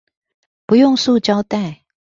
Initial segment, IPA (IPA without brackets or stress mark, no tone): p